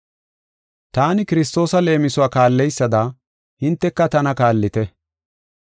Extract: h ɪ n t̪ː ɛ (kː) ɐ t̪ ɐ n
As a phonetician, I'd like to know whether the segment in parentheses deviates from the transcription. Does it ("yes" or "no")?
no